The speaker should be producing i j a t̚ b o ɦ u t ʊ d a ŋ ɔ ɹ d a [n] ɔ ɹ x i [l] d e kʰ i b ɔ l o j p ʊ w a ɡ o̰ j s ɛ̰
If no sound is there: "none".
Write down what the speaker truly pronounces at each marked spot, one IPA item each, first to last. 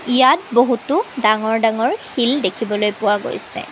ŋ, l

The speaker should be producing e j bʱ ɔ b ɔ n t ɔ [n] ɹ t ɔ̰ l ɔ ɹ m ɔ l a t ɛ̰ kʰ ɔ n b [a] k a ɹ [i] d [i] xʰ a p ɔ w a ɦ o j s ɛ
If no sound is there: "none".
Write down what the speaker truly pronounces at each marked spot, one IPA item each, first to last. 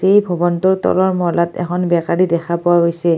none, ɛ, i, ɛ

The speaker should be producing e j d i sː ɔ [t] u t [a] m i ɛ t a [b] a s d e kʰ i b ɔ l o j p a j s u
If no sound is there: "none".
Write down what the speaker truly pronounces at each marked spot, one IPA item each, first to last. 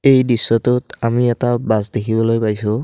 t, a, b

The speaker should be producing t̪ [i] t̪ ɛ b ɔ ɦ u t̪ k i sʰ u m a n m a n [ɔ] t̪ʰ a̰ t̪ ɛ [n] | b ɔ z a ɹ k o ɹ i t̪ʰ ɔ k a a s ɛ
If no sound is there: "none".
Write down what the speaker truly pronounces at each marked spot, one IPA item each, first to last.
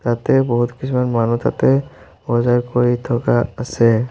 a, u, none

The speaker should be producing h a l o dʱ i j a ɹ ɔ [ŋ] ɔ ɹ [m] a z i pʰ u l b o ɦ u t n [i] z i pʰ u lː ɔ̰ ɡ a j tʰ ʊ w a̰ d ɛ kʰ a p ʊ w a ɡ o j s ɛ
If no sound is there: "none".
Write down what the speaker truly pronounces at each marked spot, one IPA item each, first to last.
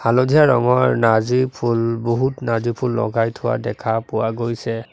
ŋ, n, a

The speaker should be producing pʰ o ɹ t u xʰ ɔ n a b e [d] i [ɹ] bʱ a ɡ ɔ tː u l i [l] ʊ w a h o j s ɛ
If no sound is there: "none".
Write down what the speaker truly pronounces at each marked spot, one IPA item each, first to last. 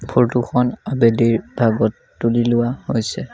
d, ɹ, l

